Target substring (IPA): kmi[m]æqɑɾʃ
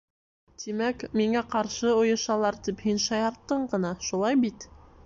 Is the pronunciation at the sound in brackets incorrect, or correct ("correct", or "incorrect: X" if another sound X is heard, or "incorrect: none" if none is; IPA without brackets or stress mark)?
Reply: incorrect: ŋ